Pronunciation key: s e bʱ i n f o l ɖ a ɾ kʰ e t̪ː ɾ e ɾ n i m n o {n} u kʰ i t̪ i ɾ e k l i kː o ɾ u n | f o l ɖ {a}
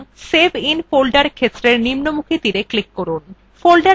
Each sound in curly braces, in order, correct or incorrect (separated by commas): incorrect, correct